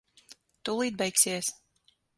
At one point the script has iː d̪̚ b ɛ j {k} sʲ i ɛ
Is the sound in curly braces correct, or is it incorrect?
correct